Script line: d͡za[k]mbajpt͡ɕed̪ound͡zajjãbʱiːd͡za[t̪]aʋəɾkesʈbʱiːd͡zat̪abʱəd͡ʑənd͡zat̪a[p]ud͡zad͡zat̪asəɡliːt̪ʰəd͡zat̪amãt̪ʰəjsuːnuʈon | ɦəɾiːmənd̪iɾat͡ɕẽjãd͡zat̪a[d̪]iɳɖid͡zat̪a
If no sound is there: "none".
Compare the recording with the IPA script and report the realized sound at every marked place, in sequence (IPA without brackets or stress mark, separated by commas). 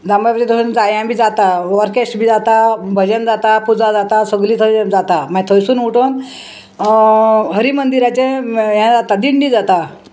none, t̪, p, d̪